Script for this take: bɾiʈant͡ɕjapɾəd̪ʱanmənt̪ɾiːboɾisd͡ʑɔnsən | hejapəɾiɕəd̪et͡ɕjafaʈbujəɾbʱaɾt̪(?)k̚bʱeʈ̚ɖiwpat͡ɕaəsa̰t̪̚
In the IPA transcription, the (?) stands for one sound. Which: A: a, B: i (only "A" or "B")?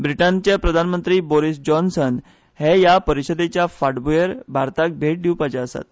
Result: A